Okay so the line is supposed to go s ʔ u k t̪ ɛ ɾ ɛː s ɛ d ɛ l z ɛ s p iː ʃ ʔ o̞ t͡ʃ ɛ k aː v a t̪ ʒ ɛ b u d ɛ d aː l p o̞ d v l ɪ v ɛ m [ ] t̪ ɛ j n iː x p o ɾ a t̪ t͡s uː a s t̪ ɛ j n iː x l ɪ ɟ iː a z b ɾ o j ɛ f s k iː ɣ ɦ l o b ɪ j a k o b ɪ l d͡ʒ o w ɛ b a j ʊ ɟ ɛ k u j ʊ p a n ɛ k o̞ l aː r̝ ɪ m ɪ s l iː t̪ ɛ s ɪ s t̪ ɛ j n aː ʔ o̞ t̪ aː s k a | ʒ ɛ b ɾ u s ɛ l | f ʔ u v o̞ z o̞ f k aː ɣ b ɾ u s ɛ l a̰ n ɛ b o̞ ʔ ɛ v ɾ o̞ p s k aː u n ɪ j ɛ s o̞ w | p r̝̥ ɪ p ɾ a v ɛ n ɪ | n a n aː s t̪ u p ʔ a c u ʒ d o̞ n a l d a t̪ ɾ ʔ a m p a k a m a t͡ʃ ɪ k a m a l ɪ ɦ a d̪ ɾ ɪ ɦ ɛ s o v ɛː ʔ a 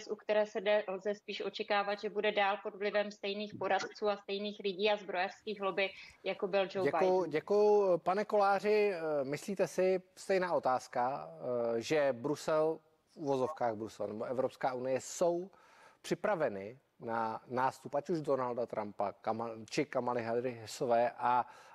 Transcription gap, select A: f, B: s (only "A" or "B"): B